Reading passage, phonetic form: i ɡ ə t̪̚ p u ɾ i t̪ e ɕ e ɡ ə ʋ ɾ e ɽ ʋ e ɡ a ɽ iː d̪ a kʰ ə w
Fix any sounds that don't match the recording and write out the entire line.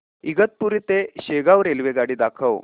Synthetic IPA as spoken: i ɡ ə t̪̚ p u ɾ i t̪ e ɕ e ɡ a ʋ ɾ e l ʋ e ɡ a ɽ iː d̪ a kʰ ə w

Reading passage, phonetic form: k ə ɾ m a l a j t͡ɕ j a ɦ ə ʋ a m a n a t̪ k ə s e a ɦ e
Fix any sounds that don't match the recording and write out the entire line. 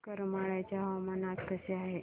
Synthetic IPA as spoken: k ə ɾ m a ɭ a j t͡ɕ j a ɦ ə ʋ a m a n a t̪ k ə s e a ɦ e

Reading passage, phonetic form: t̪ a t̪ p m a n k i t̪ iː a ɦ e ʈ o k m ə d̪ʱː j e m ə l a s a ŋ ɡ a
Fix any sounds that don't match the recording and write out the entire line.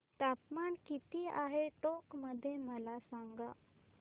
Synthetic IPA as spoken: t̪ a p m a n k i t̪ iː a ɦ e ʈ o k m ə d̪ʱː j e m ə l a s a ŋ ɡ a

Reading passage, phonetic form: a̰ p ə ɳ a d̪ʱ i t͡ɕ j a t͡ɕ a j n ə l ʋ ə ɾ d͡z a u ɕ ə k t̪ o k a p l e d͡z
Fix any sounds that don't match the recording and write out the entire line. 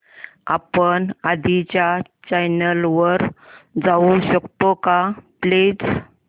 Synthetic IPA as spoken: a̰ p ə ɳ a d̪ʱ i t͡ɕ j a t͡ɕ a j n ə l ʋ ə ɾ d͡z a u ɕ ə k t̪ o k a p l e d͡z

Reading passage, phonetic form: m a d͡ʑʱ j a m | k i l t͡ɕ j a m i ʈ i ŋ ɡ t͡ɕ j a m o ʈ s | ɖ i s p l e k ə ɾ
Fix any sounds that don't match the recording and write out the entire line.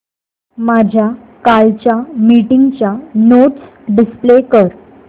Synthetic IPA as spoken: m a d͡ʑʱ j a | k a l t͡ɕ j a m i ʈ i ŋ ɡ t͡ɕ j a n o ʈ s | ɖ i s p l e k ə ɾ

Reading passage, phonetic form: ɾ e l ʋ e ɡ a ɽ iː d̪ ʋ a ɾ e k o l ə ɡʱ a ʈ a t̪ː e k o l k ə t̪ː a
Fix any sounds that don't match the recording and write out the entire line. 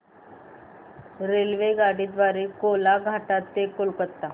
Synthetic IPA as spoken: ɾ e l ʋ e ɡ a ɽ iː d̪ ʋ a ɾ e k o l a ɡʱ a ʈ a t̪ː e k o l k ə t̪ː a

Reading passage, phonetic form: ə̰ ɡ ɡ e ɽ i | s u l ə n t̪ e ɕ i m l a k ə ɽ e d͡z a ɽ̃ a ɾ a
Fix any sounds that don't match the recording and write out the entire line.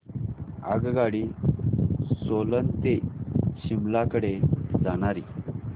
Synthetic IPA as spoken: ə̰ ɡ ɡ a ɽ i | s o l ə n t̪ e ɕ i m l a k ə ɽ e d͡z a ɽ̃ a ɾ i

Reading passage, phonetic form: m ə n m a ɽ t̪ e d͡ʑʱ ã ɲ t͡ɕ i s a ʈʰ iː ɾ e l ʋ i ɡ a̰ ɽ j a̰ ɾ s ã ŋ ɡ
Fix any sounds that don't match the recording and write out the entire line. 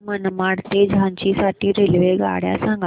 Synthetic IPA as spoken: m ə n m a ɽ t̪ e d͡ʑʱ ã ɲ t͡ɕ i s a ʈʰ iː ɾ e l ʋ e ɡ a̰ ɽ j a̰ s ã ŋ ɡ

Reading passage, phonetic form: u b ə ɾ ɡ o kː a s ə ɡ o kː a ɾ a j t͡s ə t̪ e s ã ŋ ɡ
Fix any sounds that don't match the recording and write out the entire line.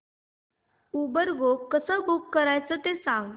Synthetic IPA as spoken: u b ə ɾ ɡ o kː ə s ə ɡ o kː ə ɾ a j t͡s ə t̪ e s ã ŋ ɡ

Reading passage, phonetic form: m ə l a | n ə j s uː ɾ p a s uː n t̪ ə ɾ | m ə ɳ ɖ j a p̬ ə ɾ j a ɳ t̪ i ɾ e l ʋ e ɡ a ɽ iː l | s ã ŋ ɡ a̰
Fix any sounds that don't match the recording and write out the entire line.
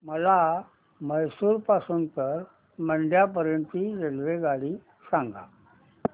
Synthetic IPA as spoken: m ə l a | m ə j s uː ɾ p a s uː n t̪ ə ɾ | m ə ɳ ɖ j a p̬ ə ɾ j ə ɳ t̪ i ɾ e l ʋ e ɡ a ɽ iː | s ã ŋ ɡ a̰

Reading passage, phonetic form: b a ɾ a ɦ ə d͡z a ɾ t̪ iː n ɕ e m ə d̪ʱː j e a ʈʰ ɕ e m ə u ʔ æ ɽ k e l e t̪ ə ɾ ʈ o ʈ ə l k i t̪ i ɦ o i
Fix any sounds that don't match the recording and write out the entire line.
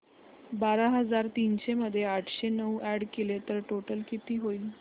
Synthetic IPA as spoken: b a ɾ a ɦ ə d͡z a ɾ t̪ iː n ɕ e m ə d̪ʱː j e a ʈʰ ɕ e n ə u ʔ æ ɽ k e l e t̪ ə ɾ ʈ o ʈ ə l k i t̪ iː ɦ o i

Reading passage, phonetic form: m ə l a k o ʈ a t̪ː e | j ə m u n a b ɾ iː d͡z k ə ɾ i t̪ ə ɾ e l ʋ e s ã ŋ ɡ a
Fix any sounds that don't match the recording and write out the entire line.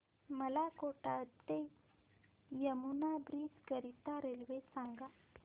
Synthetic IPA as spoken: m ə l a k o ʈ a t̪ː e | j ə m u n a b ɾ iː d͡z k ə ɾ i t̪ a ɾ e l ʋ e s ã ŋ ɡ a

